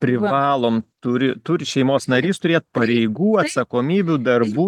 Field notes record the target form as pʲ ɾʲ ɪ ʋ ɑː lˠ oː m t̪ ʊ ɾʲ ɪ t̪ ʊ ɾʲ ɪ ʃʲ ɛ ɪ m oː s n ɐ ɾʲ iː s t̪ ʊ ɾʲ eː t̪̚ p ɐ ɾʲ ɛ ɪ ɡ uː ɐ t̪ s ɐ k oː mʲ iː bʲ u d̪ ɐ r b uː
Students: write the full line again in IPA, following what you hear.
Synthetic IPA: pʲ ɾʲ ɪ ʋ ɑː lˠ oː m t̪ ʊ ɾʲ ɪ t̪ ʊ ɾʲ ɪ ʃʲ ɛ ɪ m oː s n ɐ ɾʲ iː s t̪ ʊ ɾʲ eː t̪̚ p ɐ ɾʲ ɛ ɪ ɡ uː ɐ t̪ s ɐ k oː mʲ iː bʲ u d̪ ɐ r b uː